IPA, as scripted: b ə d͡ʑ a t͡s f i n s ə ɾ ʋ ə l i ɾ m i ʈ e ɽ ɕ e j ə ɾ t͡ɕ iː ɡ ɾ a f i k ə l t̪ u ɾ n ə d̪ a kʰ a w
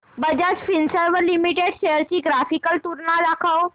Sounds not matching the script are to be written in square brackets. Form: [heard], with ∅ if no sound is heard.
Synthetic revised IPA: b ə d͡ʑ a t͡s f i n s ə ɾ ʋ ə l i [∅] m i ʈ e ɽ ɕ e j ə ɾ t͡ɕ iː ɡ ɾ a f i k ə l t̪ u ɾ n [a] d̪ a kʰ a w